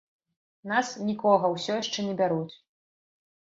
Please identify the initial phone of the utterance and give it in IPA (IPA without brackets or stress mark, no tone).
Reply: n